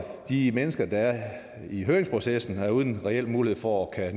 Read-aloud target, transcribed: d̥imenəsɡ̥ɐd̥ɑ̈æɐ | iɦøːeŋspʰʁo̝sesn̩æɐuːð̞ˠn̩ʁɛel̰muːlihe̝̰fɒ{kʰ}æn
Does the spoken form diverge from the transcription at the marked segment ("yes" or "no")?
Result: no